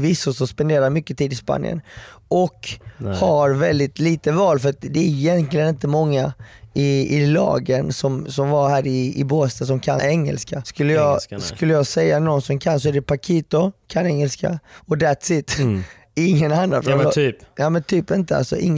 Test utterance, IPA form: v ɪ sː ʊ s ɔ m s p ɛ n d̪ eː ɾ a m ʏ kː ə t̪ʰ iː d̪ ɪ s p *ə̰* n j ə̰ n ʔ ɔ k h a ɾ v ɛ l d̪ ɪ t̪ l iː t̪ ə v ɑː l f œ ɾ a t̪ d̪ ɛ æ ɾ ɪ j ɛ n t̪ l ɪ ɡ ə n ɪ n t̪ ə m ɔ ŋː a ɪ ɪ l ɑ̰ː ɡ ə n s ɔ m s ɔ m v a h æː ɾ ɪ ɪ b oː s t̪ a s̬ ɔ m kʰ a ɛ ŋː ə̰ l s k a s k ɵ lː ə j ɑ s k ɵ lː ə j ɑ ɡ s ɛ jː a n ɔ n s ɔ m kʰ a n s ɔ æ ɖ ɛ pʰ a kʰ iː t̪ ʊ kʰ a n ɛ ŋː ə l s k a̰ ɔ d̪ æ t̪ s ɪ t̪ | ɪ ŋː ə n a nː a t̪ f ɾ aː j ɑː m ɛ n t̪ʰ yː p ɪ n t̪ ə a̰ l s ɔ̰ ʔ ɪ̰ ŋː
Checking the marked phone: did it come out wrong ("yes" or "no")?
yes